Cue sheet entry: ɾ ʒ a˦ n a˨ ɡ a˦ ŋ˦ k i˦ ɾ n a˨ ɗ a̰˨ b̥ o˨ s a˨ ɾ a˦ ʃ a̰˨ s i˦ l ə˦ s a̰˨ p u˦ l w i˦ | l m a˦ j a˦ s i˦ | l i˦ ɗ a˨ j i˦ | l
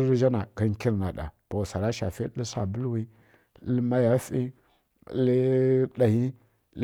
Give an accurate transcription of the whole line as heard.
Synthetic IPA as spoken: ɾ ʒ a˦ n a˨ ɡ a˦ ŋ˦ k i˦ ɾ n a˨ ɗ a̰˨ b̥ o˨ s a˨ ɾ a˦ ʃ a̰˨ f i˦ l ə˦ s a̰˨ b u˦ l w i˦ | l m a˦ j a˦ f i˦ | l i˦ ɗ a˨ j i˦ | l